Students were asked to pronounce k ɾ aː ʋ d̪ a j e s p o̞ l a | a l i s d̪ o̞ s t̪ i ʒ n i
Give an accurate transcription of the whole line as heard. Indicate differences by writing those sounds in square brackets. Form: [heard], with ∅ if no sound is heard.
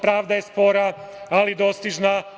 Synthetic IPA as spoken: [p] ɾ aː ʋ d̪ a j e s p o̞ [ɾ] a | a l i [∅] d̪ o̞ s t̪ i ʒ n [a]